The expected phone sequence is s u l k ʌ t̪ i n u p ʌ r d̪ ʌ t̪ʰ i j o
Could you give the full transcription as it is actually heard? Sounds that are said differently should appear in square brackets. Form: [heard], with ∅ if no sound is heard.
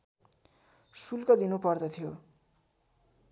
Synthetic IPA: s u l k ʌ [d̪] i n u p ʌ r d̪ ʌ t̪ʰ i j o